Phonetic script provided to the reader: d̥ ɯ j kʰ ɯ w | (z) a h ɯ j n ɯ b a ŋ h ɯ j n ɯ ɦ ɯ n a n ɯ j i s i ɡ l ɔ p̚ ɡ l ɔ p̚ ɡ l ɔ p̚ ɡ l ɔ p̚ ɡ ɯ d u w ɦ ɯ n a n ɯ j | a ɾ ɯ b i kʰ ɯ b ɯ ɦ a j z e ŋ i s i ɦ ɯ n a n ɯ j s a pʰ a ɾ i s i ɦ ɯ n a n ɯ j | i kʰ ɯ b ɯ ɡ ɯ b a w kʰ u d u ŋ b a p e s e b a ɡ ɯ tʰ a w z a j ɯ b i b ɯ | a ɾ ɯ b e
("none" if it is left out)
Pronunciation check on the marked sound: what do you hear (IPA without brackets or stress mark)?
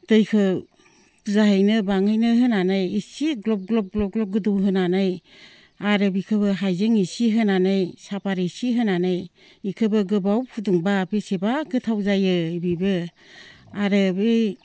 z